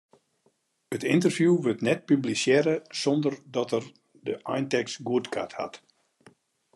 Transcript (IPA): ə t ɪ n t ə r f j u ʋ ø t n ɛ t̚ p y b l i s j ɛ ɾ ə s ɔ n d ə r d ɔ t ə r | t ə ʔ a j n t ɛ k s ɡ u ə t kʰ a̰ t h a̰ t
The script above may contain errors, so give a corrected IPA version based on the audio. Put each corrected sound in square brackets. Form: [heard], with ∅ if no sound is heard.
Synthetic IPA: ə t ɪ n t ə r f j u ʋ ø t n ɛ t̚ p y b l i s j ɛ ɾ ə s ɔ n d ə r d ɔ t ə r | [d] ə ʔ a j n t ɛ k s ɡ u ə t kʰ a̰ t h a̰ t